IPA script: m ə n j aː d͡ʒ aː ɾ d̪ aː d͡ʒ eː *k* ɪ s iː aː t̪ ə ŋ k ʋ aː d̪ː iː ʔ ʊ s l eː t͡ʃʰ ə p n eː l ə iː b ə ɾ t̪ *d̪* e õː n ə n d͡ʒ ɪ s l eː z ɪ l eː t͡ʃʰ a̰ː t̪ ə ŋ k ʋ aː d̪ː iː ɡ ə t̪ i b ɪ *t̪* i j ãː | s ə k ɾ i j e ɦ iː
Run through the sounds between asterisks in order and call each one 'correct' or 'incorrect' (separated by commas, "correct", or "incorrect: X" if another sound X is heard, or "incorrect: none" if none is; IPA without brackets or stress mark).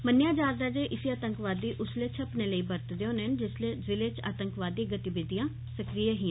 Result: incorrect: ʔ, correct, incorrect: d̪